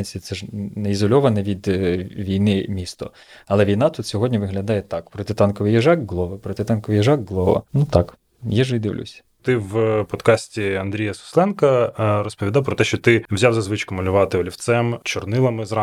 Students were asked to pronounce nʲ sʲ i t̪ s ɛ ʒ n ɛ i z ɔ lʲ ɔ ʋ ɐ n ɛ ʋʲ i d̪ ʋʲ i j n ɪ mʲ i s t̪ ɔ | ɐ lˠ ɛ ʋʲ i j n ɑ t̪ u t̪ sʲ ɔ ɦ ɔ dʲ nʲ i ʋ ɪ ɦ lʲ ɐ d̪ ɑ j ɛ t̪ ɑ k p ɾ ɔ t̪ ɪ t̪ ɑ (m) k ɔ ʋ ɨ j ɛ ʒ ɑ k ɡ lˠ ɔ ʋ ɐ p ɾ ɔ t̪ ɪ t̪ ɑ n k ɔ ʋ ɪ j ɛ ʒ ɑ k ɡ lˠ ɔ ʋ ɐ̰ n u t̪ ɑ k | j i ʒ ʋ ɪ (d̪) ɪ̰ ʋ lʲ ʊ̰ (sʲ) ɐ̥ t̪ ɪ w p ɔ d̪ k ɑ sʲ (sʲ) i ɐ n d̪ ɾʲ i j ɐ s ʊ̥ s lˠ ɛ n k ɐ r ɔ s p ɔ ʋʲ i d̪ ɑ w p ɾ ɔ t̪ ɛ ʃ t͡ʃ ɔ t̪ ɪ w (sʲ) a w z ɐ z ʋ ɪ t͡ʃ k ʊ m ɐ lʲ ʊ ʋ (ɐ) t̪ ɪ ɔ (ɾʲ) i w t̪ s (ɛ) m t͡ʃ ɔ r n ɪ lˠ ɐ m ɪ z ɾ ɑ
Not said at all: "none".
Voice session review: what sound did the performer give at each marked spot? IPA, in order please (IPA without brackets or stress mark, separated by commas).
n, d̪, sʲ, tʲ, zʲ, ɑ, lʲ, ɛ